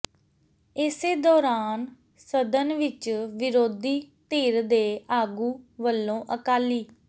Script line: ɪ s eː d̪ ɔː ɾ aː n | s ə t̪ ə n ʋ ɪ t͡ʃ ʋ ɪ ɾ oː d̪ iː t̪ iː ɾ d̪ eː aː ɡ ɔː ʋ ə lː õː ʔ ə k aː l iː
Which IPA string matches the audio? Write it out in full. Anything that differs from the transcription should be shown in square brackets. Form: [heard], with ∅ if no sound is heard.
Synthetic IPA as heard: ɪ s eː d̪ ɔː ɾ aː n | s ə [d̪] ə n ʋ ɪ t͡ʃ ʋ ɪ ɾ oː d̪ iː t̪ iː ɾ d̪ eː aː ɡ [uː] ʋ ə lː õː ʔ ə k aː l iː